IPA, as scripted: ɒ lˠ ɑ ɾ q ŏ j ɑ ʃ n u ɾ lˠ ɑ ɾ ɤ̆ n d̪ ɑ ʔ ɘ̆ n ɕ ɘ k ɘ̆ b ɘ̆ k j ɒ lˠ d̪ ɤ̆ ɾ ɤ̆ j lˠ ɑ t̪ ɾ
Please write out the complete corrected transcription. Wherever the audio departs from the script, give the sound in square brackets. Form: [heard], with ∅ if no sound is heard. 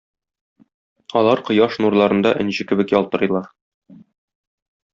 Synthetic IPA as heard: ɒ lˠ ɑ ɾ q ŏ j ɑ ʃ n u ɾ lˠ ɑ ɾ ɤ̆ n d̪ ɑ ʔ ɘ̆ n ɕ ɘ k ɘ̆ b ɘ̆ k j ɒ lˠ [t̪] ɤ̆ ɾ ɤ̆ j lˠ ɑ [∅] ɾ